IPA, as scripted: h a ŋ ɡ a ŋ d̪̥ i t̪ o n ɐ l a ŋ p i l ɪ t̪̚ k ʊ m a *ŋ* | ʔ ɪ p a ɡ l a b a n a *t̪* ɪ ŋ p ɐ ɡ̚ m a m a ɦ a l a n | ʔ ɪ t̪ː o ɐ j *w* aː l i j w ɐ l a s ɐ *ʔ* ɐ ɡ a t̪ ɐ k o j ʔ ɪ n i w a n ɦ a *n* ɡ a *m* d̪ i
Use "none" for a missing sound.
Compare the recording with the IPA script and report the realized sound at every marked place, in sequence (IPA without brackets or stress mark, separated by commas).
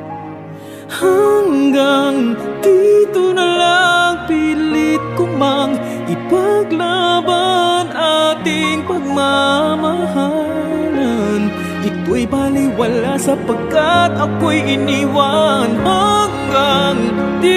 ŋ, t̪, b, p, ŋ, ŋ